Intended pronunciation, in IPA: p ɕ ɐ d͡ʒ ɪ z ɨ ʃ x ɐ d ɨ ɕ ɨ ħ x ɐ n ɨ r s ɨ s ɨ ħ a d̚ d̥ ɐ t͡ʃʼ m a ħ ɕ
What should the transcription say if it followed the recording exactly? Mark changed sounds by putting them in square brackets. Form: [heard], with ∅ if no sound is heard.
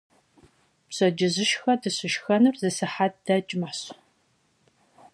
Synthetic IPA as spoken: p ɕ ɐ d͡ʒ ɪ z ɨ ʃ x ɐ d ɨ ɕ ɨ [ʃ] x ɐ n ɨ r [z] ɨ s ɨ ħ a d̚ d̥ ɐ t͡ʃʼ m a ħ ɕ